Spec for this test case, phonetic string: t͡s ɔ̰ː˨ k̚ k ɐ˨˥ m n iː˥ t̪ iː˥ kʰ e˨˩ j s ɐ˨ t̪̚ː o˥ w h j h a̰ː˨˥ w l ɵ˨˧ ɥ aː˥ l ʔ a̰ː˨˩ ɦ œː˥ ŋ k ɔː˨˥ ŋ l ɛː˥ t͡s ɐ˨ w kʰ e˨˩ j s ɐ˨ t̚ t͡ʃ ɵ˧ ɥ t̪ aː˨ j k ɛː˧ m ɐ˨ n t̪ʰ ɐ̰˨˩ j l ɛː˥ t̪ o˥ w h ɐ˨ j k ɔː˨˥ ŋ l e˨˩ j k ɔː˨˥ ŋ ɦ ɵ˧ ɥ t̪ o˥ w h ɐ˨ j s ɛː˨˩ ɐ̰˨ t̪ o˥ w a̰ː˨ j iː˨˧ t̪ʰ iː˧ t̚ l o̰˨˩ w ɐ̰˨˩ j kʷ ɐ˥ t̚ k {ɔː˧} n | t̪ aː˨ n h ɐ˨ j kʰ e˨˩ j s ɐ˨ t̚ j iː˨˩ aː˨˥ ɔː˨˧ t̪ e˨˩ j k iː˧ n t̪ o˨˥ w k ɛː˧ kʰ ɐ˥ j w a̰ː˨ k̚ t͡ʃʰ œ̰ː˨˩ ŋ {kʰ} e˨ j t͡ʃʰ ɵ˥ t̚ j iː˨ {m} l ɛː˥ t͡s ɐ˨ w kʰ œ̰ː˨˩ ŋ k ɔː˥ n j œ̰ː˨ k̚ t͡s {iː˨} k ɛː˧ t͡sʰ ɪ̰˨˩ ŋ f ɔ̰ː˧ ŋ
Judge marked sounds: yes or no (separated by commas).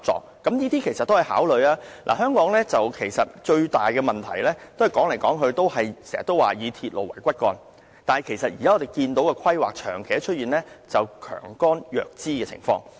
yes, yes, no, no